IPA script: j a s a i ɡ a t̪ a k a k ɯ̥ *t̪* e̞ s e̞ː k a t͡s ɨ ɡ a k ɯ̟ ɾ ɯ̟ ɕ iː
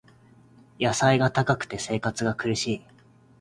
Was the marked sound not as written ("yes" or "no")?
no